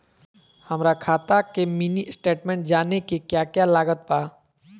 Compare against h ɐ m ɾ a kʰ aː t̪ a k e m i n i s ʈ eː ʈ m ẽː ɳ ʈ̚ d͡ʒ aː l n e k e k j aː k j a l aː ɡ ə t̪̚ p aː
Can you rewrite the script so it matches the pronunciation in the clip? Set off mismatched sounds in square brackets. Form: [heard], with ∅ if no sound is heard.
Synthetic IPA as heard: h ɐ m ɾ a kʰ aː t̪ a k e m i n i s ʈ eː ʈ m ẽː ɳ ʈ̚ d͡ʒ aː [∅] n e k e k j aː k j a l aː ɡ ə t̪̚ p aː